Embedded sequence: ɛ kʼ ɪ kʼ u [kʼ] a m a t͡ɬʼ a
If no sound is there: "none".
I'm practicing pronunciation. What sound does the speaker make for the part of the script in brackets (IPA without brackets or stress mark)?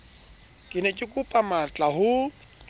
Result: pʼ